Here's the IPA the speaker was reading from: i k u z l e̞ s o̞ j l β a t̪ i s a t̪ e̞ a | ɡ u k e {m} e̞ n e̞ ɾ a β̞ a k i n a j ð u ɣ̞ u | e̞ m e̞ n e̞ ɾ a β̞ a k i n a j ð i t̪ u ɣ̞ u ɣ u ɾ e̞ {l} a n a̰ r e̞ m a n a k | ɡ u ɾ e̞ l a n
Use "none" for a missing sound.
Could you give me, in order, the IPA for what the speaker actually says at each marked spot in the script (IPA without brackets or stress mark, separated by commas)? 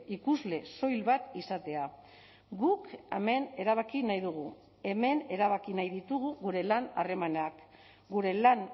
m, l